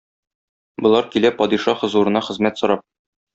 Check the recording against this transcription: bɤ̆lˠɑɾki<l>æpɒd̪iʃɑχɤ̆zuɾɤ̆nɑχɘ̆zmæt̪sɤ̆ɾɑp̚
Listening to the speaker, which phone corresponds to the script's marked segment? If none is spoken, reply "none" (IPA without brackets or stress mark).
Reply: l